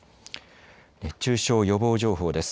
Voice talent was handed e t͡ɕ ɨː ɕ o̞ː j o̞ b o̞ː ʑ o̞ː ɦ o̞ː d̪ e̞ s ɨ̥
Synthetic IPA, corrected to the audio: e t͡ɕ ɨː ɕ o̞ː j o̞ b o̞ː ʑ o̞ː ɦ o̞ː d̪ e̞ s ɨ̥